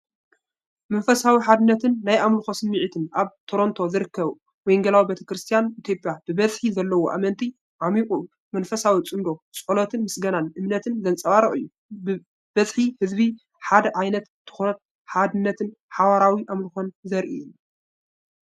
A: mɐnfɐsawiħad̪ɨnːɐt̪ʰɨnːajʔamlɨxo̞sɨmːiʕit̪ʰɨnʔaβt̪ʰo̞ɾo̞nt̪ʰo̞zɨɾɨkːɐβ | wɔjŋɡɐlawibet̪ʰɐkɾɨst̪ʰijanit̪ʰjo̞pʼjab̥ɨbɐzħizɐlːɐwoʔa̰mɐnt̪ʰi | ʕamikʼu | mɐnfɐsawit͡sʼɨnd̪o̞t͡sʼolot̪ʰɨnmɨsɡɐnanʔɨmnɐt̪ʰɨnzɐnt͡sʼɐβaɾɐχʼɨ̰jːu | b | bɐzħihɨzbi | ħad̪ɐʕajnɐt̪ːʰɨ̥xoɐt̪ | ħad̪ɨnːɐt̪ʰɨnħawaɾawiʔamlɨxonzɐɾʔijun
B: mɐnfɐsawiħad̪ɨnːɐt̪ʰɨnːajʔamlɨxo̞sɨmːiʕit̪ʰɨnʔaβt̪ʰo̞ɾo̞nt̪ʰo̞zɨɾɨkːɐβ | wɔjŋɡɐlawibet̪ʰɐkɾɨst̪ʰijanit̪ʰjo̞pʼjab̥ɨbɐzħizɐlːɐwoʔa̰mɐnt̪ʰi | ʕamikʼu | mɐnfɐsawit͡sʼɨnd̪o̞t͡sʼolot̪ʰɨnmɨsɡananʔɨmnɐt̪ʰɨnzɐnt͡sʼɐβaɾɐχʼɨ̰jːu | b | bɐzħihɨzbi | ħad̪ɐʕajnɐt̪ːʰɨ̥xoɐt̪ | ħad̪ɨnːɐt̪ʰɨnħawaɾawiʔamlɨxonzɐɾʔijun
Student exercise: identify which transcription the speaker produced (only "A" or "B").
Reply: A